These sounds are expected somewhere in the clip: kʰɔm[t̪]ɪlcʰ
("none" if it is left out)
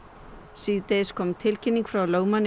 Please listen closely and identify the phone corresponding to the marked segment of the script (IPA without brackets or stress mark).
t̪ʰ